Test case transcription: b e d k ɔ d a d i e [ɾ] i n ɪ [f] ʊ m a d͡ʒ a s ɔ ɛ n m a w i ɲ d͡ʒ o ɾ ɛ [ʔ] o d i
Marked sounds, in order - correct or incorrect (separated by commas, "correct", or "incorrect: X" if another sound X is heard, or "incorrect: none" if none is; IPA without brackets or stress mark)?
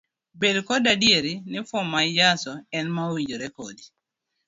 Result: correct, correct, incorrect: k